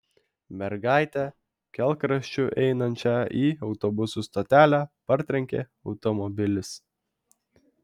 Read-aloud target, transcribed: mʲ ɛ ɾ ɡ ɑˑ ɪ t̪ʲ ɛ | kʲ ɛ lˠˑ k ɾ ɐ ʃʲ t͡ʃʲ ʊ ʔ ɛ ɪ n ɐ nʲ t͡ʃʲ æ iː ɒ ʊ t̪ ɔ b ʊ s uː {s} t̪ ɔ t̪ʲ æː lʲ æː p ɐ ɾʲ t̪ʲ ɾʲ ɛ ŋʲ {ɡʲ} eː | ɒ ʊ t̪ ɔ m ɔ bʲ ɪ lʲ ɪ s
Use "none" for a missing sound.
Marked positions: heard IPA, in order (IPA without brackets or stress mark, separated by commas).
s, kʲ